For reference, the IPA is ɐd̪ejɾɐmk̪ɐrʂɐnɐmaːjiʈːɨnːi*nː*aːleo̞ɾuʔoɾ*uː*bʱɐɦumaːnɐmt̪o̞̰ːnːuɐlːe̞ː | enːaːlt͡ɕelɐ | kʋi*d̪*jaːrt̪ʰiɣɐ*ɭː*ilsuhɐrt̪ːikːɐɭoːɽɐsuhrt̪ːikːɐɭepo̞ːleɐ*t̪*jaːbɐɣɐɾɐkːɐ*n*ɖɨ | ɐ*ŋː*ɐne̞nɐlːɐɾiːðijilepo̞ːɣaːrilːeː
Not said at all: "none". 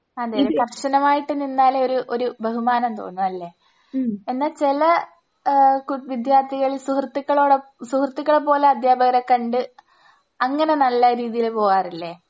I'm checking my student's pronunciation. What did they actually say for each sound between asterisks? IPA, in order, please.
nː, u, d̪, ɭ, d̪, ɳ, ŋː

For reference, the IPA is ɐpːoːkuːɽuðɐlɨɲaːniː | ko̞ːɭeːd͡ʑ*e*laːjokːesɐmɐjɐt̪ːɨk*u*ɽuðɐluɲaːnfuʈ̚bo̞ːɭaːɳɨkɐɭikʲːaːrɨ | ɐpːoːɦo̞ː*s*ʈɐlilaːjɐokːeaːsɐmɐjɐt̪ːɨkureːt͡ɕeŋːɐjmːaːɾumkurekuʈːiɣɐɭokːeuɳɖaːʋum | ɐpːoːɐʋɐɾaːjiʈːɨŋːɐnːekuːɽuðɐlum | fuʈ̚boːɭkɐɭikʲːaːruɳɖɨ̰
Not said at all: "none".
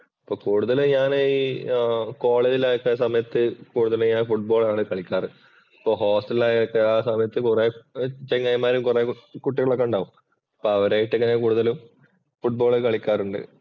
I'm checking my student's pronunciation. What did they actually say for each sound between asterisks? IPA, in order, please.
i, uː, s

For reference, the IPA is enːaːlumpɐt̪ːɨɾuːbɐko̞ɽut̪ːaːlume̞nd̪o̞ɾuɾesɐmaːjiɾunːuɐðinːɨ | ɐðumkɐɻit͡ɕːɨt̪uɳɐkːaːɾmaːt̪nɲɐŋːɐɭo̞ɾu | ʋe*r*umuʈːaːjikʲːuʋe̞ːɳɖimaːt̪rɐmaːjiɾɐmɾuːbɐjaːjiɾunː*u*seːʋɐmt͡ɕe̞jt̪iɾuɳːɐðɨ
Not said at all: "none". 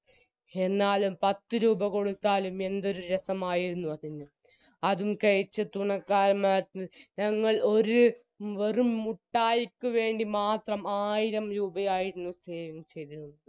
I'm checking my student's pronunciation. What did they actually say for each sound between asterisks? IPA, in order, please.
r, u

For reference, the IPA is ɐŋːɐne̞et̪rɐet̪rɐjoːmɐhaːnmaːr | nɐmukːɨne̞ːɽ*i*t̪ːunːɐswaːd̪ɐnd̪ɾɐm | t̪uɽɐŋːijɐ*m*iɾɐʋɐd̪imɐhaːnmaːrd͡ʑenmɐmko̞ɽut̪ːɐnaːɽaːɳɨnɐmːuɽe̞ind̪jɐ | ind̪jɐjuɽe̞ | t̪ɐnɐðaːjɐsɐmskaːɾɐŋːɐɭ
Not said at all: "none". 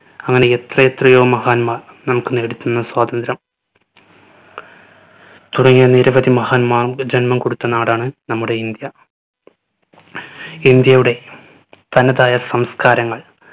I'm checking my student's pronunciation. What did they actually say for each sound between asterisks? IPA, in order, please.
i, n

